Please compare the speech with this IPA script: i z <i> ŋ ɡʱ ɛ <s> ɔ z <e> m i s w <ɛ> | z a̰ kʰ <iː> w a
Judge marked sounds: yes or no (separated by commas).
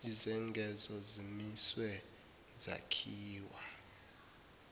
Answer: no, no, no, yes, yes